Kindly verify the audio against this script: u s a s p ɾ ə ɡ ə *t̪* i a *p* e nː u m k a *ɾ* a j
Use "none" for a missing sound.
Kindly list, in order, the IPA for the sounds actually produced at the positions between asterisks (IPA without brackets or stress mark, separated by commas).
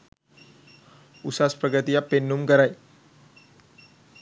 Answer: t̪, p, ɾ